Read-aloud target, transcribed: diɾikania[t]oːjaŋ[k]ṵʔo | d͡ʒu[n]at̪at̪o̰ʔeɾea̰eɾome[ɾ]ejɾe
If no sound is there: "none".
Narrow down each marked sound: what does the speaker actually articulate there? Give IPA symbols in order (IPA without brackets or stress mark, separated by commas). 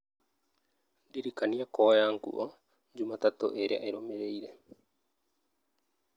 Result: k, k, m, ɾ